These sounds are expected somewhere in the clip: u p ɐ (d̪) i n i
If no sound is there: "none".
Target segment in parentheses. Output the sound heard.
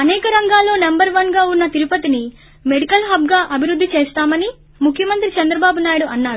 t̪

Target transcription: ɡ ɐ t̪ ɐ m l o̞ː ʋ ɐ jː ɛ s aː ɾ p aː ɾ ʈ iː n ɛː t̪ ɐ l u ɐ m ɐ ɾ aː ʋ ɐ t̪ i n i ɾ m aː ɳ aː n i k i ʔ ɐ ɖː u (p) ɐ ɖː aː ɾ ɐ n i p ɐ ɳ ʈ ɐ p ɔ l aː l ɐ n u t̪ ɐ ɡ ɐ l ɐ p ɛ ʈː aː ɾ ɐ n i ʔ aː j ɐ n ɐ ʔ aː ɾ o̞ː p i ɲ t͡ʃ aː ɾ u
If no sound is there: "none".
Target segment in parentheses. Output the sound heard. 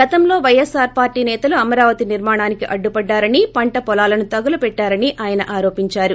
p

